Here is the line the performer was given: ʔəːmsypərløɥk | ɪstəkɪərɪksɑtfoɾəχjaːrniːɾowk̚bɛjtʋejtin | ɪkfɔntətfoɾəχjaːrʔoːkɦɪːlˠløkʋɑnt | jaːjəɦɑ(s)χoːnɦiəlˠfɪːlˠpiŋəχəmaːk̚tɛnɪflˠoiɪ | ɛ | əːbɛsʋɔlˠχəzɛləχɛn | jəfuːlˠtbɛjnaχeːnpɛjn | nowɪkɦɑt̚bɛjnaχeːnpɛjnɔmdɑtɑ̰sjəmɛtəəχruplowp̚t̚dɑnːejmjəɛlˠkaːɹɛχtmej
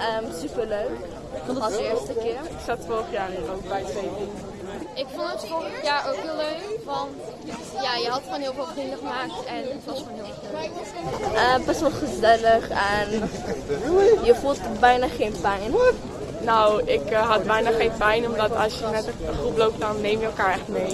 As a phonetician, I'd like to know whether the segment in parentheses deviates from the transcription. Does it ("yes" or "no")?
yes